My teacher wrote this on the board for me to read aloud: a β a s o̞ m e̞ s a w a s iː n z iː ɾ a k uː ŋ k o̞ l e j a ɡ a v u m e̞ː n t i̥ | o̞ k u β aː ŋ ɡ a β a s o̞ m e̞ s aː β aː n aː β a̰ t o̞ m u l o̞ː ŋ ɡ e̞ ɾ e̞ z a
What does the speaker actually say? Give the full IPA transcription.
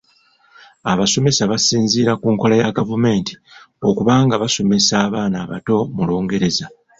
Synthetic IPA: a β a s o̞ m e̞ s a β a s iː n z iː ɾ a k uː ŋ k o̞ l a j a ɡ a v u m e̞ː n t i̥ | o̞ k u β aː ŋ ɡ a β a s o̞ m e̞ s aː β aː n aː β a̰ t o̞ m u l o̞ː ŋ ɡ e̞ ɾ e̞ z a